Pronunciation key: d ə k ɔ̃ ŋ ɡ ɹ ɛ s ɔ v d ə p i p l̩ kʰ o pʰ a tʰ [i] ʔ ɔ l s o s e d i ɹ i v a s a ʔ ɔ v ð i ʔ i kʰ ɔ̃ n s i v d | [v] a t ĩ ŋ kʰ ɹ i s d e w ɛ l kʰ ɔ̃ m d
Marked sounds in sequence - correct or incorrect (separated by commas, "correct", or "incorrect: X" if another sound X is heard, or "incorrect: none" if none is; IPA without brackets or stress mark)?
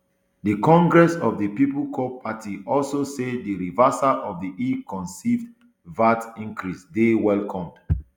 correct, correct